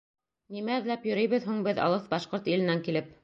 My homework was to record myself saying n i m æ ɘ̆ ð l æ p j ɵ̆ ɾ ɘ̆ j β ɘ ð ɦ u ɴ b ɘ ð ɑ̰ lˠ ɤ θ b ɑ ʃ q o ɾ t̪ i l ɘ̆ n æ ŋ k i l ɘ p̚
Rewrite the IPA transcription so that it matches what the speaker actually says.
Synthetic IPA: n i m æ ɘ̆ ð l æ p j ɵ̆ ɾ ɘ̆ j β ɘ ð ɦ u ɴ b ɘ ð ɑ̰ lˠ ɤ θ b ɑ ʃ q o ɾ t̪ i l ɘ̆ n æ ŋ k i l ɘ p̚